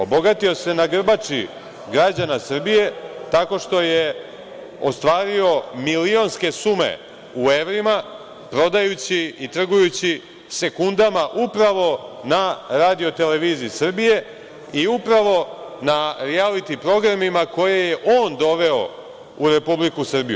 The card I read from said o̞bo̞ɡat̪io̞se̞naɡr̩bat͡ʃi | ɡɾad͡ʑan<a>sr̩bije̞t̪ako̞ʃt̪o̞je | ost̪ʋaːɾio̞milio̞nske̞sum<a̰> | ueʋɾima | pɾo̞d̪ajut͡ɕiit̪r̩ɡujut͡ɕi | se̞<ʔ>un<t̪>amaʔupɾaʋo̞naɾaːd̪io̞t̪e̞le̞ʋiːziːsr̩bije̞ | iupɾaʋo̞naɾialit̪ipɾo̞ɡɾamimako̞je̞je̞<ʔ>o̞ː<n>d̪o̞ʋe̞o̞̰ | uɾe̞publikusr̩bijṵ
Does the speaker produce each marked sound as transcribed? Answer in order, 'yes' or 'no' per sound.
yes, no, no, no, yes, yes

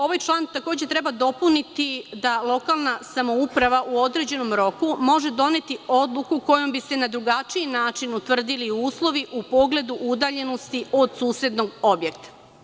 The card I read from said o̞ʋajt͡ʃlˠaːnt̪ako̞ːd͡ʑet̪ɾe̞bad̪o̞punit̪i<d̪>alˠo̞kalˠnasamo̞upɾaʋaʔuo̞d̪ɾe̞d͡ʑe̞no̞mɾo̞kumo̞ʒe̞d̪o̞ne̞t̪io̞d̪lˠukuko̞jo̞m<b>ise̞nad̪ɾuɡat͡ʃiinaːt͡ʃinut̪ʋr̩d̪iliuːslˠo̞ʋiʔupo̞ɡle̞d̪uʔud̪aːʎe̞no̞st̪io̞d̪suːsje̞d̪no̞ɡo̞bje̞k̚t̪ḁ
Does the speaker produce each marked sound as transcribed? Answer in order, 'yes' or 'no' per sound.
yes, yes

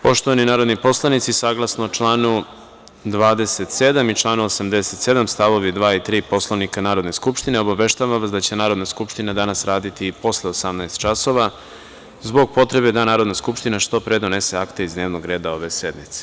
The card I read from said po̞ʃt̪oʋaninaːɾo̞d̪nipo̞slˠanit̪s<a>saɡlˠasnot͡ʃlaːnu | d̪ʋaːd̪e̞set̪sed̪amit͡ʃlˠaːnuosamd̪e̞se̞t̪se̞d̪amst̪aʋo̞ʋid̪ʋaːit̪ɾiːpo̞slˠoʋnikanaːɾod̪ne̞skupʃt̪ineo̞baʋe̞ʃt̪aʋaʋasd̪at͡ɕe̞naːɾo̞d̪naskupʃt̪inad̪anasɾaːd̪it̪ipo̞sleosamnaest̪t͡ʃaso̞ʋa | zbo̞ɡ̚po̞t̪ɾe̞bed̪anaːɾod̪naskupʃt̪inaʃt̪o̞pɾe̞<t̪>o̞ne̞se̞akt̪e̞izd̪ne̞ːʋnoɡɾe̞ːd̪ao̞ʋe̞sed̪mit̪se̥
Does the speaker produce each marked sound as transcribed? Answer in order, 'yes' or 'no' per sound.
no, no

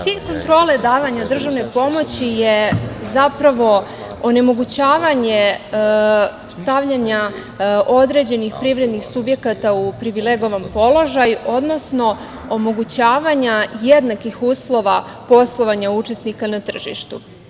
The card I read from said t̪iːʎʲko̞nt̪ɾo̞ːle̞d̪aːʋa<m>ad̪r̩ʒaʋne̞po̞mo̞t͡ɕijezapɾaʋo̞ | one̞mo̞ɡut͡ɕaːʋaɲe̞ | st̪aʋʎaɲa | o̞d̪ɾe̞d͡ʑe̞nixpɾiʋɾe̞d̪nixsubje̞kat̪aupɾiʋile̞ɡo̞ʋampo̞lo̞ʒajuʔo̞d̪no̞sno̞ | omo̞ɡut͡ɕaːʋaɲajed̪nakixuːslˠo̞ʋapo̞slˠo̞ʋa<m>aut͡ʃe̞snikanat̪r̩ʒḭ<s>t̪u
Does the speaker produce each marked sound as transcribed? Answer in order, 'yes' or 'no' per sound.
no, no, no

